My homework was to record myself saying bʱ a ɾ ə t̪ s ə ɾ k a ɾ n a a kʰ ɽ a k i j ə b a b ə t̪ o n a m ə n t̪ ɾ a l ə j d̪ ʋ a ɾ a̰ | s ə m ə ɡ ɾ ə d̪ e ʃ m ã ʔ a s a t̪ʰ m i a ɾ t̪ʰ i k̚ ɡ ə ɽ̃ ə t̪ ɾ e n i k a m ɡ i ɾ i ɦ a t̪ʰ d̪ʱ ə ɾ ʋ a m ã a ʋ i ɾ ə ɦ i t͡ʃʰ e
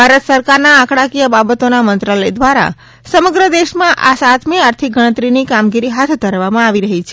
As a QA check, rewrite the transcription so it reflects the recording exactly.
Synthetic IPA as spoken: bʱ a ɾ ə t̪ s ə ɾ k a ɾ n a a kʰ ɽ a k i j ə b a b ə t̪ o n a m ə n t̪ ɾ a l ə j d̪ ʋ a ɾ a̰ | s ə m ə ɡ ɾ ə d̪ e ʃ m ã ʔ a s a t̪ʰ m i a ɾ t̪ʰ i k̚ ɡ ə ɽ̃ ə t̪ ɾ i n i k a m ɡ i ɾ i ɦ a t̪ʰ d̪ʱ ə ɾ ʋ a m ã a ʋ i ɾ ə ɦ i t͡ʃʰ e